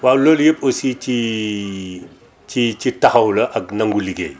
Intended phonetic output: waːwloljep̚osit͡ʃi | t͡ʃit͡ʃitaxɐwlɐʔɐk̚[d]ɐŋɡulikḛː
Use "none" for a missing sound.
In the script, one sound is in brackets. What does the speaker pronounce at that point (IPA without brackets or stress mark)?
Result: n